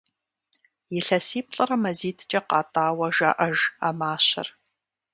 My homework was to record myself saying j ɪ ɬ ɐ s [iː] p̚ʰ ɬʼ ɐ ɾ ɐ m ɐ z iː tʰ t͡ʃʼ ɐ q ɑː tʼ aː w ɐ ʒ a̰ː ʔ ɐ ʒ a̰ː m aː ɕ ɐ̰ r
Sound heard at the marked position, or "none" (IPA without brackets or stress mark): iː